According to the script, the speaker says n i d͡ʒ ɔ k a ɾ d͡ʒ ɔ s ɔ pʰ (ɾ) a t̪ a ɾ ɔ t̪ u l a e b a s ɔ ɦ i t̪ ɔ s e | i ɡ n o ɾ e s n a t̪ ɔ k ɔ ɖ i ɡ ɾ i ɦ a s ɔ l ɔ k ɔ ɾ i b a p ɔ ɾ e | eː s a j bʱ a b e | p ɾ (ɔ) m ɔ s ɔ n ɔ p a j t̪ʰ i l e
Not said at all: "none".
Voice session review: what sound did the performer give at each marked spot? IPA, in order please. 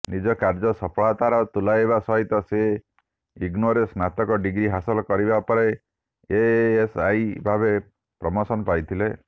ɭ, ɔ

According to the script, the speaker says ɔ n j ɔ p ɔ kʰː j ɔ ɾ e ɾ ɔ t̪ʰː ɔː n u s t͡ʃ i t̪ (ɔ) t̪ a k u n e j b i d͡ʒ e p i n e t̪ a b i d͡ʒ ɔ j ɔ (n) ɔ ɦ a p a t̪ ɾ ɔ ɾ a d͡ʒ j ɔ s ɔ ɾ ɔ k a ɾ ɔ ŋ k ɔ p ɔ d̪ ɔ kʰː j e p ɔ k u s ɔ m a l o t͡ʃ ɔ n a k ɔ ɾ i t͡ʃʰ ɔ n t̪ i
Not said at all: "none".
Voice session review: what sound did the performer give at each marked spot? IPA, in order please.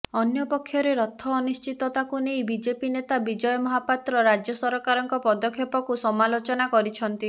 ɔ, m

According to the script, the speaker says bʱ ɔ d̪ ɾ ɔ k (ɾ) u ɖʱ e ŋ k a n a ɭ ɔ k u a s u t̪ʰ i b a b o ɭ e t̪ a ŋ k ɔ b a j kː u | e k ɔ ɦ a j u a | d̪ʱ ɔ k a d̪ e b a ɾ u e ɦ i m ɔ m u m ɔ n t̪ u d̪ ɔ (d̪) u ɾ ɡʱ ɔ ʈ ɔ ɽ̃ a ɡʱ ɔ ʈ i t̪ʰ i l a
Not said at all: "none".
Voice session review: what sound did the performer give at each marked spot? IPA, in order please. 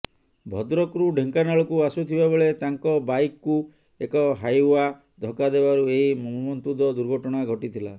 ɾ, d̪

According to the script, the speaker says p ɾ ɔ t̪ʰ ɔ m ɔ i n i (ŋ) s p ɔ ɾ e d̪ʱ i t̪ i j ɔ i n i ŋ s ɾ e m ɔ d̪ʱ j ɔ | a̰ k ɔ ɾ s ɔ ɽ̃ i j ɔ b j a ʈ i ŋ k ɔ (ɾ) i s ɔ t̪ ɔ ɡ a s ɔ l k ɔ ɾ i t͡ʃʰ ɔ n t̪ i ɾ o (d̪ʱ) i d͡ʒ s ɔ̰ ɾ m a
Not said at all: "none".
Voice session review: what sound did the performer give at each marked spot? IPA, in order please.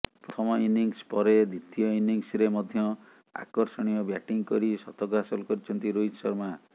ŋ, ɾ, none

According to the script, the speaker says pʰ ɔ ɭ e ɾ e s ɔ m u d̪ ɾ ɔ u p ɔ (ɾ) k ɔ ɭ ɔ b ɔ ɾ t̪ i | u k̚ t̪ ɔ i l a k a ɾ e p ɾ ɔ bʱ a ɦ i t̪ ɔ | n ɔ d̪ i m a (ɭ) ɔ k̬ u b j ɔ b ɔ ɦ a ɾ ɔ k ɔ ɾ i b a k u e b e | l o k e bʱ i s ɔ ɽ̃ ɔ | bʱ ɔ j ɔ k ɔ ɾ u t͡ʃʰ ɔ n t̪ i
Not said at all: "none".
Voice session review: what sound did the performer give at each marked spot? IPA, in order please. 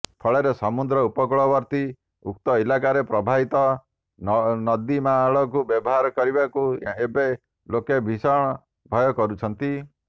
none, ɭ

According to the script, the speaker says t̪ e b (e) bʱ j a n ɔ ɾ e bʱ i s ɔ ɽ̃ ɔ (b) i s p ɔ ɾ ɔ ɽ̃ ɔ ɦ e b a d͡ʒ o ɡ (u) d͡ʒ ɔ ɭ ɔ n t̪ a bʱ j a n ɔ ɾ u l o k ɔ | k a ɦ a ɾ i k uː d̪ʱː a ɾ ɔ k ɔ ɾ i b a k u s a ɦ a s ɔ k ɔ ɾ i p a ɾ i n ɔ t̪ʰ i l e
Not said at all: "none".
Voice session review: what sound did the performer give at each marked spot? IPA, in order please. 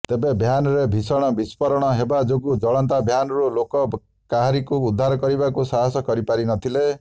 e, b, u

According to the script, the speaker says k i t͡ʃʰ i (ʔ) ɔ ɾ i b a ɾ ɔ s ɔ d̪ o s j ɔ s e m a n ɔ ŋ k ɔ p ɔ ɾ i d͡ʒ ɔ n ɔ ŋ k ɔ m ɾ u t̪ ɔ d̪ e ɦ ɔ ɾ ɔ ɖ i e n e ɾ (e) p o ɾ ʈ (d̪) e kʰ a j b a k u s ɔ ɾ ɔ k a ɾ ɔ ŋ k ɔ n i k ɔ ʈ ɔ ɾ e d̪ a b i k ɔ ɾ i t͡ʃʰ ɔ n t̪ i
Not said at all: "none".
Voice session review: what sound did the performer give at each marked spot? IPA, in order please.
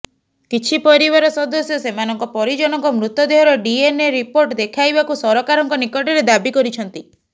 p, i, d̪

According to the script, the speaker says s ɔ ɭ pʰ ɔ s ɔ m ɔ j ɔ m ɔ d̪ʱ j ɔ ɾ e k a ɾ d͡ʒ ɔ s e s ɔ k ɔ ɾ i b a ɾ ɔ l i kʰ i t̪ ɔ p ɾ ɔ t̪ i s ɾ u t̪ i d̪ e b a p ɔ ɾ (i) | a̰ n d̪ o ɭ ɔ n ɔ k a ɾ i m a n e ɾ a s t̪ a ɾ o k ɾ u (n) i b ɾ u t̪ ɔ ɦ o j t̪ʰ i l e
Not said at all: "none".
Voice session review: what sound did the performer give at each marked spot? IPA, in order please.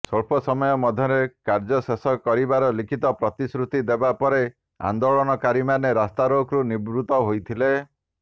e, n

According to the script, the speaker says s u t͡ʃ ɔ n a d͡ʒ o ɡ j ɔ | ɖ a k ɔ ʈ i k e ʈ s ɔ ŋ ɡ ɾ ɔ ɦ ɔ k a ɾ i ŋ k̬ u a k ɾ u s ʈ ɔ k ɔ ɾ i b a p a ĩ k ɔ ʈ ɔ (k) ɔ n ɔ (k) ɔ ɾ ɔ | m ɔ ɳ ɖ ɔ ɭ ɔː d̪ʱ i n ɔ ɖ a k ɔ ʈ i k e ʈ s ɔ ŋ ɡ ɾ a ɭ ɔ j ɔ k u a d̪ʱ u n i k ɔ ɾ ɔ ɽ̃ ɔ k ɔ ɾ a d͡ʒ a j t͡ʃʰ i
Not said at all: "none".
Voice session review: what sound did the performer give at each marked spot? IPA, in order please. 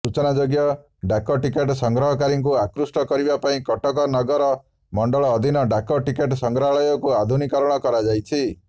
k, ɡ

